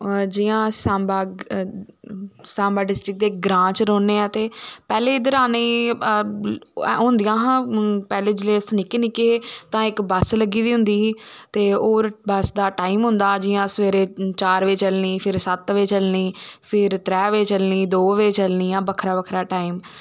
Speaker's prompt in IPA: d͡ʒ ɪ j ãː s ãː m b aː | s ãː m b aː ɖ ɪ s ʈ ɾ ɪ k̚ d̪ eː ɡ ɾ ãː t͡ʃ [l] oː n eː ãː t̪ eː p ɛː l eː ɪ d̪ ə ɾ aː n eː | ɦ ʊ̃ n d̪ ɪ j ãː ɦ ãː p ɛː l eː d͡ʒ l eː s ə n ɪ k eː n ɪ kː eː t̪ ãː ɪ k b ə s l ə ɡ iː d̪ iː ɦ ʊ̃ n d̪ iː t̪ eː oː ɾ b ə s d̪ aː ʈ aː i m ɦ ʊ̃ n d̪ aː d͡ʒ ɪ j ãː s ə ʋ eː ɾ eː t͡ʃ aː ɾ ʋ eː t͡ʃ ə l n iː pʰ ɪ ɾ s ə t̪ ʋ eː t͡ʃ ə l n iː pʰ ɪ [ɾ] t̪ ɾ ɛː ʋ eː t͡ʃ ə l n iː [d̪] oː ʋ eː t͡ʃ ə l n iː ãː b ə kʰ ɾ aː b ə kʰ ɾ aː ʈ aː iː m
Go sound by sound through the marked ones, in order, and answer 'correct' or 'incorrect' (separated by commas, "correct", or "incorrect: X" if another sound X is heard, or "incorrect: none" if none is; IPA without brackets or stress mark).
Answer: incorrect: ɾ, correct, correct